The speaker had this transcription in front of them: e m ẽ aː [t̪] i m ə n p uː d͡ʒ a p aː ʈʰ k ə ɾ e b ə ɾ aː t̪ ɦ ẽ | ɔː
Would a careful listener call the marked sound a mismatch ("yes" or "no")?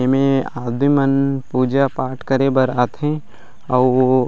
yes